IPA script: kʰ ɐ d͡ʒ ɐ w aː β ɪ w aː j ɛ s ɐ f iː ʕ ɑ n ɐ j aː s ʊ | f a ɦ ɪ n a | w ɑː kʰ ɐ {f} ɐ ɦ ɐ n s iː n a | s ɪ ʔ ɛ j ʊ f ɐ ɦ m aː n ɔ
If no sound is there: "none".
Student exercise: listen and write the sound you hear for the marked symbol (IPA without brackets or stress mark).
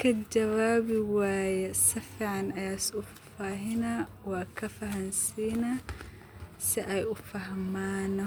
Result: f